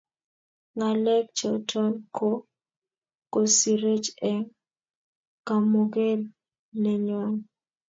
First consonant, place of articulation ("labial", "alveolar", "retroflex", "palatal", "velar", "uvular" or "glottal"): velar